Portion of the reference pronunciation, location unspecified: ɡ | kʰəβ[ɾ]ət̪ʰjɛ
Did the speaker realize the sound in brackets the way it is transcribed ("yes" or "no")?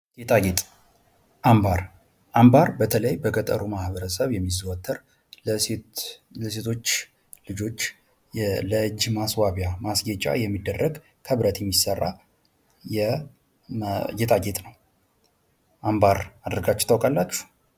yes